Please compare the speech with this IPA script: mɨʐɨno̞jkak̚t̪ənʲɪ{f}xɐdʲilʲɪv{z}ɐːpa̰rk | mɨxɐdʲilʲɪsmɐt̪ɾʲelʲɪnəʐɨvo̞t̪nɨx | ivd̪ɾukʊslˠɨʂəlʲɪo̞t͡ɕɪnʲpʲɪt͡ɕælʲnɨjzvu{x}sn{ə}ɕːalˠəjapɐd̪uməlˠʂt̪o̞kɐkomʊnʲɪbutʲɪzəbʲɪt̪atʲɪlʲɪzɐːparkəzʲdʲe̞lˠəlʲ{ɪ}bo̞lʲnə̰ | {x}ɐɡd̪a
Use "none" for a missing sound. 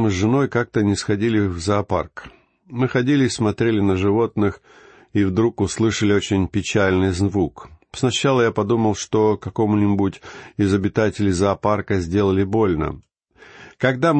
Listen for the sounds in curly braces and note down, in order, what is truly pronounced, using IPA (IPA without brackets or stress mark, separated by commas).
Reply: s, z, k, ɐ, ɪ, k